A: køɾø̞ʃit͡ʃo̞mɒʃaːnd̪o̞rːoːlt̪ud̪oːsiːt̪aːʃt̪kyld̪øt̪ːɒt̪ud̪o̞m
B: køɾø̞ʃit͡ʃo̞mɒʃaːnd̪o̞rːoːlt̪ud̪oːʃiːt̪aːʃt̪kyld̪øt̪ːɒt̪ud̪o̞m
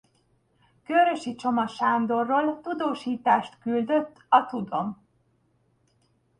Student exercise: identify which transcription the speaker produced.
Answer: B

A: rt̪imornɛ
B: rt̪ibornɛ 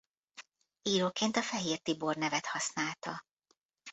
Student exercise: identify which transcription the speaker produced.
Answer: B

